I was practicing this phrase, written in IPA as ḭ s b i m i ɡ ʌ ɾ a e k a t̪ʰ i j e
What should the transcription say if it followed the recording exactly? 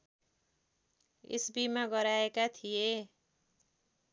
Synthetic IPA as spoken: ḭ s b i m a ɡ ʌ ɾ a e k a t̪ʰ i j e